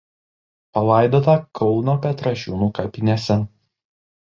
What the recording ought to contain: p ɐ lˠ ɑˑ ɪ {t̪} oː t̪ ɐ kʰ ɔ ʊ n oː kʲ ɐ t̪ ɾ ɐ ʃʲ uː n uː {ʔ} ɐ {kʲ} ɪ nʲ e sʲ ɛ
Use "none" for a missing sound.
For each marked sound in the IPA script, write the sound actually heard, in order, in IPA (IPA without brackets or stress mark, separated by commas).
d̪, k, pʲ